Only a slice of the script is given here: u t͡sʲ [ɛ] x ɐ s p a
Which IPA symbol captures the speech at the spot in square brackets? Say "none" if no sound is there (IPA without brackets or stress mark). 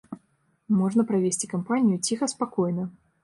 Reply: i